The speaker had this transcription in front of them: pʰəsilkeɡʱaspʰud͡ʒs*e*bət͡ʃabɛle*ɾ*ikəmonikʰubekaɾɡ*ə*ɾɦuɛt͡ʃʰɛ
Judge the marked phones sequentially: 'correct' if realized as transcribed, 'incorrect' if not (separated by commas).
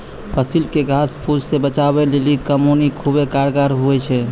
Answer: correct, incorrect, incorrect